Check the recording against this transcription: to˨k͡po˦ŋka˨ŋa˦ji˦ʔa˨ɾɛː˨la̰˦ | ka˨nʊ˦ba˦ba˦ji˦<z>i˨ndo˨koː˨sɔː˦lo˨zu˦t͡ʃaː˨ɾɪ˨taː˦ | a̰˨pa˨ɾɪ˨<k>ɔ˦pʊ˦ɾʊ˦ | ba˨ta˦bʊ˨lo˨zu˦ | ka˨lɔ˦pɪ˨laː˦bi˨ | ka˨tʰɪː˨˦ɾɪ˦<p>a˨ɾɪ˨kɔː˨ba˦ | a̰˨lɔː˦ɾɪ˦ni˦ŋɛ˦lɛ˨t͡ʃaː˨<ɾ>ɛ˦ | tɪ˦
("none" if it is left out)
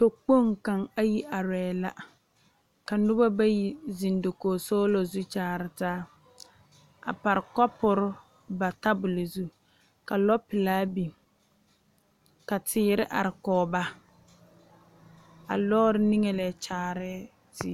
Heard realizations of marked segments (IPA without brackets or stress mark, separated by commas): z, k, ʔ, ɾ